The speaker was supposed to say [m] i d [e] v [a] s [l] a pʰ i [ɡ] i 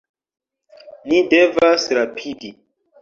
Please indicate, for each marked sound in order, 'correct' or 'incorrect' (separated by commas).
incorrect, correct, correct, incorrect, incorrect